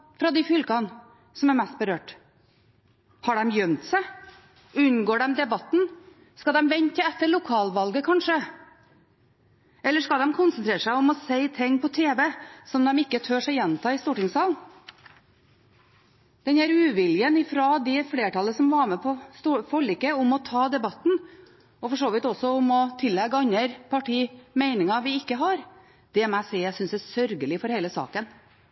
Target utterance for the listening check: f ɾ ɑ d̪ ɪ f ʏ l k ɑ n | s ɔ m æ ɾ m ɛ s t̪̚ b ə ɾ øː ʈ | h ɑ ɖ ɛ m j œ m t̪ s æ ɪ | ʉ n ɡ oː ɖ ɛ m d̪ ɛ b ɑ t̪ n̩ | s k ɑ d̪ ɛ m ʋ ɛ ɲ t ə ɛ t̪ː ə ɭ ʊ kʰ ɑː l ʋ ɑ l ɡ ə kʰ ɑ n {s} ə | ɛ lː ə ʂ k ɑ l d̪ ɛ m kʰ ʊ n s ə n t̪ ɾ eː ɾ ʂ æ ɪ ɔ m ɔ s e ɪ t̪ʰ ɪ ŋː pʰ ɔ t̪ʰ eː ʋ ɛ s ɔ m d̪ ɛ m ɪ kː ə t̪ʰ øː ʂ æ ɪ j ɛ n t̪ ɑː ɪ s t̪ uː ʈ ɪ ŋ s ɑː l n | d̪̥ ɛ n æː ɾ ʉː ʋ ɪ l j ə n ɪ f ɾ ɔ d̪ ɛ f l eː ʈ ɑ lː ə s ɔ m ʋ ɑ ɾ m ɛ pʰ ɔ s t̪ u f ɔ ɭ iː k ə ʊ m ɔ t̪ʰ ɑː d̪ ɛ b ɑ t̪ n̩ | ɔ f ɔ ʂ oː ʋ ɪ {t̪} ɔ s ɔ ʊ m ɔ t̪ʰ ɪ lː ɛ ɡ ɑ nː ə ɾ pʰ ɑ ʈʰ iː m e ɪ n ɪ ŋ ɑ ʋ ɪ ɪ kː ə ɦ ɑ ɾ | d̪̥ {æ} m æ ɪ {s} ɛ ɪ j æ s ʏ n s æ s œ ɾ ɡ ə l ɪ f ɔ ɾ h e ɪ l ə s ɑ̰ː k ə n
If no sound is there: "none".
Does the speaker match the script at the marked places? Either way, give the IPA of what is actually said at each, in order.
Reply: ʂ, t̪, ɛ, s

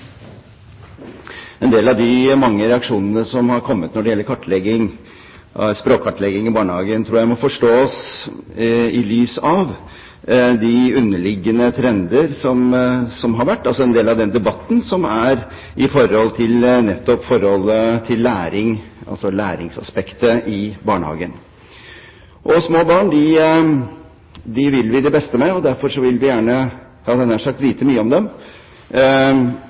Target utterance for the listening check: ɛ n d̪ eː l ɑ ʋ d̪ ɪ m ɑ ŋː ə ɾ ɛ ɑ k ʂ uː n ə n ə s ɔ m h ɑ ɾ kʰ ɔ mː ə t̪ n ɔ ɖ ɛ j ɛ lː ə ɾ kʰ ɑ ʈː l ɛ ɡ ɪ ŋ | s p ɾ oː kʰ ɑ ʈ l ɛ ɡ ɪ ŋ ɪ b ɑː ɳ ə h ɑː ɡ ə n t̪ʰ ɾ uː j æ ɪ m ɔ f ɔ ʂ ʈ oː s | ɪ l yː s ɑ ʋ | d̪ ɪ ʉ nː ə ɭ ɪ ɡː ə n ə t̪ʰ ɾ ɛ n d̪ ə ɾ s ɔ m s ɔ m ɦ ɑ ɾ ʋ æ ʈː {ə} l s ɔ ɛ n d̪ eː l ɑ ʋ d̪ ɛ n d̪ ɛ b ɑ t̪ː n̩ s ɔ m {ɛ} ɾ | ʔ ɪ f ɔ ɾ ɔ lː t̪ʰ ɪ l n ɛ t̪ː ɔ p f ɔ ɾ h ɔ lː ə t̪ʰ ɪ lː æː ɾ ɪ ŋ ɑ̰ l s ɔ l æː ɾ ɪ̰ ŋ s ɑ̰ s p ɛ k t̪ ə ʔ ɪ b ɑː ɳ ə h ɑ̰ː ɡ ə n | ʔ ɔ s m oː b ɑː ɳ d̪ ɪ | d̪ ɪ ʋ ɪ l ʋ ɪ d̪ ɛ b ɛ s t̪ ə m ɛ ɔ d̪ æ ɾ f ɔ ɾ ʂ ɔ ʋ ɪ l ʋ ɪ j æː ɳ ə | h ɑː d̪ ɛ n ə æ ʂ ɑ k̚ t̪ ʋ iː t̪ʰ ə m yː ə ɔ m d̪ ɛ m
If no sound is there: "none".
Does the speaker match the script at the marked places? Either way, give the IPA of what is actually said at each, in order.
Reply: ɑ, æ

